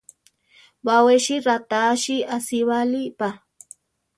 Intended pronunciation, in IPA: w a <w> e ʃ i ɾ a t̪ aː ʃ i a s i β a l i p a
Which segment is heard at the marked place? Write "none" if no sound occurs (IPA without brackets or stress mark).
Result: w